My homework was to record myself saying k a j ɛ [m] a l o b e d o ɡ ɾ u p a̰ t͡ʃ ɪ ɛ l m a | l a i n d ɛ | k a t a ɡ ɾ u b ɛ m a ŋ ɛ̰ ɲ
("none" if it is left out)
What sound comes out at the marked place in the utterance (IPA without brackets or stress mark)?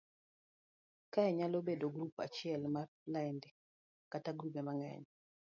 ɲ